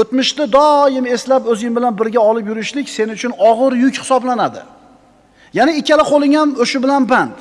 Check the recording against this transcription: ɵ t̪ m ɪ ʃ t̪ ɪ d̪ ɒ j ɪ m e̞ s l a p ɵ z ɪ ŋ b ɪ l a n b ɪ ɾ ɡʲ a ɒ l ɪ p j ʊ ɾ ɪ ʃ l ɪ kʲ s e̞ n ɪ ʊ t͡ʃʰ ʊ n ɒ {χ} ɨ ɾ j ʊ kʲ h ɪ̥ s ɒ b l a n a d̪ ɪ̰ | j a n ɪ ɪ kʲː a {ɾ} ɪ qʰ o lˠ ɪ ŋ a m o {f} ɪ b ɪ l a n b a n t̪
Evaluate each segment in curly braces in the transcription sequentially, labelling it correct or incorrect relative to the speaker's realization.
incorrect: ʁ, incorrect: l, incorrect: ʃ

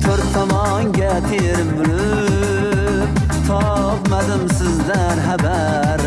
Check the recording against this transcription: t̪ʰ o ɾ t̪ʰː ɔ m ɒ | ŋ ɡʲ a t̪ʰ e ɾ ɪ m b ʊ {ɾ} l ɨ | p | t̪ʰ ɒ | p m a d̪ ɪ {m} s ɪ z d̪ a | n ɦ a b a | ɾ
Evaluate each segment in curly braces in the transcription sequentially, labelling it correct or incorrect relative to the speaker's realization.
incorrect: none, correct

